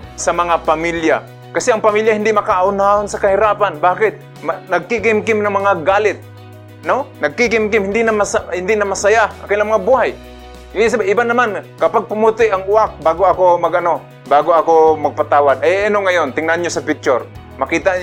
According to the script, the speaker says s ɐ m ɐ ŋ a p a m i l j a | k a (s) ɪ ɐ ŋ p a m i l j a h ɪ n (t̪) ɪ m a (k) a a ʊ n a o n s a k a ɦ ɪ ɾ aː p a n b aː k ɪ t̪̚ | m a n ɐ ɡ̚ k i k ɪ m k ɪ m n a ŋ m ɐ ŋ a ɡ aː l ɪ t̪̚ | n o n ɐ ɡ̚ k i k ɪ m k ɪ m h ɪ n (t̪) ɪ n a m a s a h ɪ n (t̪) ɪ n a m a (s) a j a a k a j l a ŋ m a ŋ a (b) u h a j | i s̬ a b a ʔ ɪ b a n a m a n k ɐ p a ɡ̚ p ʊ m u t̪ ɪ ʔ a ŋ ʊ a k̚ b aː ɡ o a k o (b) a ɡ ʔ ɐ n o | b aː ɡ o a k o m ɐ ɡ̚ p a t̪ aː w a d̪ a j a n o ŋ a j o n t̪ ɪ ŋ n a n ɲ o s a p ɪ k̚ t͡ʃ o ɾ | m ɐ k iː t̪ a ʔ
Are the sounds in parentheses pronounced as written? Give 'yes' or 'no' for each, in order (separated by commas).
yes, no, yes, no, no, yes, yes, no